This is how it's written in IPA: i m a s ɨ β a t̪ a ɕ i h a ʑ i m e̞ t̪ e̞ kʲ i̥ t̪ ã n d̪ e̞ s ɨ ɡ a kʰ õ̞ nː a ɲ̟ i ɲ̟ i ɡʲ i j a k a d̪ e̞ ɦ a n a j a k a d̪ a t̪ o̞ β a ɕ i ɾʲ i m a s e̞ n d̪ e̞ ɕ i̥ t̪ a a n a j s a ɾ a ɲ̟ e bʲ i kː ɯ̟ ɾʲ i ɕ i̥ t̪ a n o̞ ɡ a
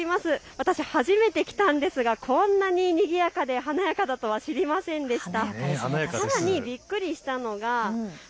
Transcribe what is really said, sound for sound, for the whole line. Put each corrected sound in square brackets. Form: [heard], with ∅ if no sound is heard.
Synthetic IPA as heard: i m a s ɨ β a t̪ a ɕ i h a ʑ i m e̞ t̪ e̞ kʲ i̥ t̪ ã n d̪ e̞ s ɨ ɡ a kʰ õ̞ nː a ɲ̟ i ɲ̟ i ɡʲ i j a k a d̪ e̞ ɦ a n a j a k a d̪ a t̪ o̞ β a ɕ i ɾʲ i m a s [ẽ̞] n d̪ e̞ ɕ i̥ t̪ a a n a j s a ɾ a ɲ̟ [i] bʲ i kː ɯ̟ ɾʲ i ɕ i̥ t̪ a n o̞ ɡ a

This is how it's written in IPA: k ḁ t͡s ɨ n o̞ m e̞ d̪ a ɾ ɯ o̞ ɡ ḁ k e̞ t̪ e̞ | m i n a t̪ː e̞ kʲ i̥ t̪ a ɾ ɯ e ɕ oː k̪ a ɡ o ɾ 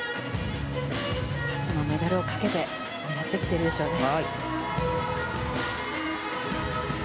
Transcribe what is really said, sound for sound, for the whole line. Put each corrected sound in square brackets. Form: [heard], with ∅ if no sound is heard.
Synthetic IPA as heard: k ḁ t͡s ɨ n o̞ m e̞ d̪ a ɾ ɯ o̞ [k] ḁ k e̞ t̪ e̞ | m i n a t̪ː e̞ kʲ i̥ t̪ [e] ɾ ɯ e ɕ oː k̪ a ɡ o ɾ

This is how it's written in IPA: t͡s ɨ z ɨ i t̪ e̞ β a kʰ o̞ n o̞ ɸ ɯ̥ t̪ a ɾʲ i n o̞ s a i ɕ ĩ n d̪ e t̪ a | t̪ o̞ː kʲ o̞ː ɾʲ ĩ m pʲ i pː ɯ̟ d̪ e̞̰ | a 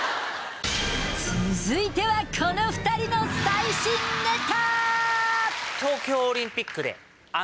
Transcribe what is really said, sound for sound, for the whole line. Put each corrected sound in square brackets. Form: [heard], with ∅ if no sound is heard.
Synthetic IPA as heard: t͡s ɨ z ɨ i t̪ e̞ β a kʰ o̞ n o̞ ɸ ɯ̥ t̪ a ɾʲ i n o̞ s a i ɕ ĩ n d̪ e t̪ a | t̪ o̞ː kʲ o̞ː ɾʲ ĩ m pʲ i [kː] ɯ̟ d̪ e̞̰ | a

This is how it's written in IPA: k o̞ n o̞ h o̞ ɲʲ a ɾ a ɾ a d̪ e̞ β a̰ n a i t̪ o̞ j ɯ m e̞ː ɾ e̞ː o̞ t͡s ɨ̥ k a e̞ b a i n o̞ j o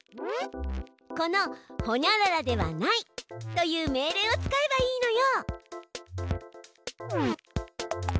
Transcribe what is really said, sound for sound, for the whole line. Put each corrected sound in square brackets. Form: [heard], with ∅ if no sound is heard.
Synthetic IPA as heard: k o̞ n o̞ h o̞ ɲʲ a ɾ a ɾ a d̪ e̞ β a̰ n a i t̪ o̞ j [ɯː] m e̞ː ɾ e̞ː o̞ t͡s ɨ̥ k a e̞ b a [iː] n o̞ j o

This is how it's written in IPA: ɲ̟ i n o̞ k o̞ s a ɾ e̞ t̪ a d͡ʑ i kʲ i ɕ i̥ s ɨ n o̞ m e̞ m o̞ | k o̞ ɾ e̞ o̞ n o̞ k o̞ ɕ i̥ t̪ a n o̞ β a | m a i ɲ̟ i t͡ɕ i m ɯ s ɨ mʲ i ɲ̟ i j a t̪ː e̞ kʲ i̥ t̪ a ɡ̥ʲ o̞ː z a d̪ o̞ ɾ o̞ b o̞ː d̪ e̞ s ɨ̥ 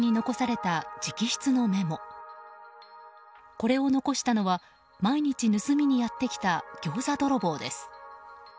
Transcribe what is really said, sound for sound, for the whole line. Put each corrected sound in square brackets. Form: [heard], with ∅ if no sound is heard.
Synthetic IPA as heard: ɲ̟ i n o̞ k o̞ s a ɾ e̞ t̪ a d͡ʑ i kʲ i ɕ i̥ [t͡s] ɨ n o̞ m e̞ m o̞ | k o̞ ɾ e̞ o̞ n o̞ k o̞ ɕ i̥ t̪ a n o̞ β a | m a i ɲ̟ i t͡ɕ i [n] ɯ s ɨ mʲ i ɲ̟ i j a t̪ː e̞ kʲ i̥ t̪ a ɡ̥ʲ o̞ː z a d̪ o̞ ɾ o̞ b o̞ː d̪ e̞ s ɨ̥

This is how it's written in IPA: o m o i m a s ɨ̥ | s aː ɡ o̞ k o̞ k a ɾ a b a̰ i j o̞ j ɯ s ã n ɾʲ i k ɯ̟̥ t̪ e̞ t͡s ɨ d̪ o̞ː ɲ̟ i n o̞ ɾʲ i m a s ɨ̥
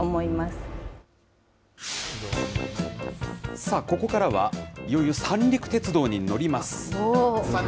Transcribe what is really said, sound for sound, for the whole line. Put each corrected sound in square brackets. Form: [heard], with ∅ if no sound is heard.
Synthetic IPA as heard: o m o i m a s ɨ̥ | s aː [k] o̞ k o̞ k a ɾ a [β] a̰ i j o̞ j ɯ s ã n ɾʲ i k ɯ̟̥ t̪ e̞ t͡s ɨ d̪ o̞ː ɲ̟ i n o̞ ɾʲ i m a s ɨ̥

